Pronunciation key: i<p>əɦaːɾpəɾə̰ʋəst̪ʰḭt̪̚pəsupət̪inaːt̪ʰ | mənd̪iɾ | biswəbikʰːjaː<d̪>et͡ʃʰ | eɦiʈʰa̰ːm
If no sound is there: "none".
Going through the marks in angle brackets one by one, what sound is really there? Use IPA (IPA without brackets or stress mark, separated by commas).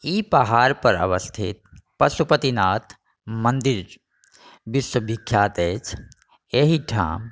p, t̪